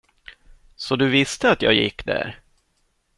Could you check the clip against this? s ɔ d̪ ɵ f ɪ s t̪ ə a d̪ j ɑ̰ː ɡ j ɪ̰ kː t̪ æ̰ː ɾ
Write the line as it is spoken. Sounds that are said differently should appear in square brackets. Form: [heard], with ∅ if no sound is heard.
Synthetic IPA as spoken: s ɔ d̪ ɵ [v] ɪ s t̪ ə a [t̪] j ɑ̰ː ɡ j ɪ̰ kː [d̪] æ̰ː ɾ

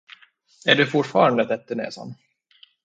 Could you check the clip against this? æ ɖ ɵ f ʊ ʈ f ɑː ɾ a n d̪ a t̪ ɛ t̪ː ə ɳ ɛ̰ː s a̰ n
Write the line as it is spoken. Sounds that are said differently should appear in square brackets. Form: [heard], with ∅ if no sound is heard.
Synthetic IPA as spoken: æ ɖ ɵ f ʊ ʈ f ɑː ɾ a n d̪ [ə] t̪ ɛ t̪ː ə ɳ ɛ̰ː s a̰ n

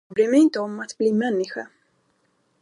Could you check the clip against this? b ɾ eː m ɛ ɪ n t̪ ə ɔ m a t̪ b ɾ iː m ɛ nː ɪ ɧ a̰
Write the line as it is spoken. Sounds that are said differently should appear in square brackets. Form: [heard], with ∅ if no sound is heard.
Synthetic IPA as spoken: b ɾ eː m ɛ ɪ n t̪ ə ɔ m a t̪ b [l] iː m ɛ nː ɪ ɧ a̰

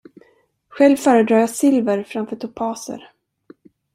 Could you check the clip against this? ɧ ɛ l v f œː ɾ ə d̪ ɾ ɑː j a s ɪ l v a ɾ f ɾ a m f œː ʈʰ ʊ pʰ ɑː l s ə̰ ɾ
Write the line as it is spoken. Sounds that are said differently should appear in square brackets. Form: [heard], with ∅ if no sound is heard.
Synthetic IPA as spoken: ɧ ɛ l v f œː ɾ ə d̪ ɾ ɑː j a s ɪ l v [ə] ɾ f ɾ a m f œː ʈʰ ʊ pʰ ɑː [∅] s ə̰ ɾ

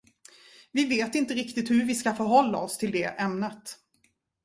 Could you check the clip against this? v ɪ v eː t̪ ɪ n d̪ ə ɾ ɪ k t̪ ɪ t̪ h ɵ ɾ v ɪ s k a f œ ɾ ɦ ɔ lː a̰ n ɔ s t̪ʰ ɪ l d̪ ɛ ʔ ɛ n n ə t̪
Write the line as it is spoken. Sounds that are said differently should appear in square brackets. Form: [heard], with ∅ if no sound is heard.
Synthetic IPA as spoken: v ɪ v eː t̪ ɪ n [t̪] ə ɾ ɪ k t̪ ɪ t̪ h ɵ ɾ v ɪ s k a f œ ɾ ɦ ɔ lː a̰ [∅] ɔ s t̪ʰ ɪ l d̪ ɛ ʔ ɛ [m] n ə t̪

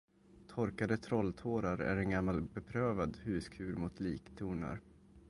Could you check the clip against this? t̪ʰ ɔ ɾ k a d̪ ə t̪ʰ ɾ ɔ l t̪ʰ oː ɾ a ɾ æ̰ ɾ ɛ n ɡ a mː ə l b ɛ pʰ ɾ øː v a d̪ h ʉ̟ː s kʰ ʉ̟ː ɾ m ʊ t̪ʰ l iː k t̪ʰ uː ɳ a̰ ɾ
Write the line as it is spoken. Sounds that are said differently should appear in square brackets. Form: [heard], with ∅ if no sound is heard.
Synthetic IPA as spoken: t̪ʰ ɔ ɾ k a d̪ ə t̪ʰ ɾ ɔ l t̪ʰ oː ɾ a ɾ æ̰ ɾ ɛ n ɡ a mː [a] l b ɛ pʰ ɾ øː v a d̪ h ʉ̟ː s kʰ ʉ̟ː ɾ m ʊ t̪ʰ l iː k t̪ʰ uː ɳ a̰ ɾ

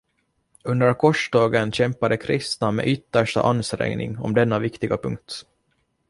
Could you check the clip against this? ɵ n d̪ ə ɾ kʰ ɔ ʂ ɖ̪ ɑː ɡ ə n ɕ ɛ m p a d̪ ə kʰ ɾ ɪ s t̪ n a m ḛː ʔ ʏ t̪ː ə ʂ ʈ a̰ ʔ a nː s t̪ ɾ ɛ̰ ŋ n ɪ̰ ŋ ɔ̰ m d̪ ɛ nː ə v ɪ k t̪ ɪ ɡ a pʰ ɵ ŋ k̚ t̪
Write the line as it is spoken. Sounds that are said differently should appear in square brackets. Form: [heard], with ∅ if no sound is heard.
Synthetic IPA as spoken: ɵ n d̪ ə ɾ kʰ ɔ ʂ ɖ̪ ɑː ɡ ə n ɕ ɛ m p a d̪ ə kʰ ɾ ɪ s t̪ n a m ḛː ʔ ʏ t̪ː ə ʂ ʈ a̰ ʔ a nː s t̪ ɾ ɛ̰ ŋ n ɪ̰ ŋ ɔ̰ m d̪ ɛ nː [a] v ɪ k t̪ ɪ ɡ a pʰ ɵ ŋ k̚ t̪

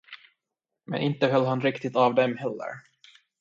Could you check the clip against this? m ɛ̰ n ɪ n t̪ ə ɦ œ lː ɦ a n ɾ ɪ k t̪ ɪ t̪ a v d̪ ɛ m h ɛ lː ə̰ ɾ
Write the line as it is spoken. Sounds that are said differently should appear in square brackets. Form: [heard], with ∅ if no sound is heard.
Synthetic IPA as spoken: m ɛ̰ n ɪ n t̪ ə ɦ œ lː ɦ a n ɾ ɪ k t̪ ɪ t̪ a v d̪ ɛ m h ɛ lː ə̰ ɾ

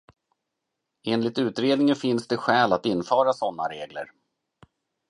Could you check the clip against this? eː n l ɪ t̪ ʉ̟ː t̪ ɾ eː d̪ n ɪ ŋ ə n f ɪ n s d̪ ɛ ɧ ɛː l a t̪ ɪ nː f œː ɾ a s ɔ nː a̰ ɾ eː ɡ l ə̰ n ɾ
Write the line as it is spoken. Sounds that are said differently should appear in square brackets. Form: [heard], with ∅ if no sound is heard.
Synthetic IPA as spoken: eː n l ɪ t̪ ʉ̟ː t̪ ɾ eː d̪ n ɪ ŋ ə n f ɪ n s d̪ ɛ ɧ ɛː l a t̪ ɪ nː f œː ɾ a s ɔ nː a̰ ɾ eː ɡ l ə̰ [∅] ɾ

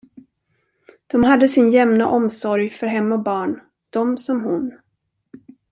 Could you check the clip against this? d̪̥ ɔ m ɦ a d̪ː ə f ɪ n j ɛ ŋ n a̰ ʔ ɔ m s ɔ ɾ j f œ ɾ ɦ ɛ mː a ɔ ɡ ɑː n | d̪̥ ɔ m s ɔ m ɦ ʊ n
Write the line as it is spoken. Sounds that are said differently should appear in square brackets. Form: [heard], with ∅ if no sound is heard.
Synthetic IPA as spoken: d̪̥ ɔ m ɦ a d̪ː ə [s] ɪ n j ɛ [m] n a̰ ʔ ɔ m s ɔ ɾ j f œ ɾ ɦ ɛ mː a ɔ [b] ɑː [ɳ] | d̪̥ ɔ m s ɔ m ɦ ʊ n

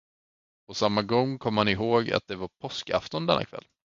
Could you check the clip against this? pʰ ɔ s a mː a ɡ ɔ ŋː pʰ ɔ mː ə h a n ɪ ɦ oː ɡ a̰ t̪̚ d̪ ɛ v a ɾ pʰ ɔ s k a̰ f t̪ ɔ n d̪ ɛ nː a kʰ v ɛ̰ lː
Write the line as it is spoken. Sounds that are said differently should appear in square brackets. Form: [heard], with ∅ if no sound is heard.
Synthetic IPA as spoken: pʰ ɔ s a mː a ɡ ɔ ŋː [kʰ] ɔ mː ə h a n ɪ ɦ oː ɡ a̰ t̪̚ d̪ ɛ v a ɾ pʰ ɔ s k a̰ f t̪ ɔ n d̪ ɛ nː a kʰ v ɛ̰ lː

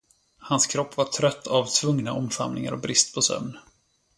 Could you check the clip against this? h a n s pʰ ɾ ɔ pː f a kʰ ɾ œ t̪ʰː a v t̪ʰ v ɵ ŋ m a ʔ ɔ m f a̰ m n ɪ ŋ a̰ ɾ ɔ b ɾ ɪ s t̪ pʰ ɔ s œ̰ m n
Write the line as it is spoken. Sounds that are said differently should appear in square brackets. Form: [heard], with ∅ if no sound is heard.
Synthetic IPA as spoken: h a n s [kʰ] ɾ ɔ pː [v] a [ʈʰ] ɾ œ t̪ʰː a v t̪ʰ v ɵ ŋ [n] a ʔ ɔ m f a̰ m n ɪ ŋ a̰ ɾ ɔ b ɾ ɪ s t̪ pʰ ɔ s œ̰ m n

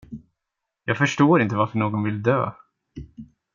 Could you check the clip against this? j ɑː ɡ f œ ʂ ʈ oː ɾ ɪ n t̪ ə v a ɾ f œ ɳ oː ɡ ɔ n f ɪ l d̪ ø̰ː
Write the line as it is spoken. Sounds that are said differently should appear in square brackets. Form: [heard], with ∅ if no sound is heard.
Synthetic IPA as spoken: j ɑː ɡ f œ ʂ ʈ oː ɾ ɪ n t̪ ə v a ɾ f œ ɳ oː ɡ ɔ n [v] ɪ l d̪ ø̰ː

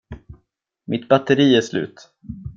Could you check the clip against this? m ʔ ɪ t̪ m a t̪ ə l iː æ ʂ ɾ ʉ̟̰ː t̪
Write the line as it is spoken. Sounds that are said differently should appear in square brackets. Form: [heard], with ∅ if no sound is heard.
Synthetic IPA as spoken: m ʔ ɪ t̪ [b] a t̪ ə [ɾ] iː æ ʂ [l] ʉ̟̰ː t̪

